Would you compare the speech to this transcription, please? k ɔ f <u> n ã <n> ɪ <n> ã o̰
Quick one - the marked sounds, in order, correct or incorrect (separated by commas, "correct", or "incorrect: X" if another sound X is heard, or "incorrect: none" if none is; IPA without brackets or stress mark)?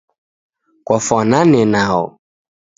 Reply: incorrect: ɔ, correct, correct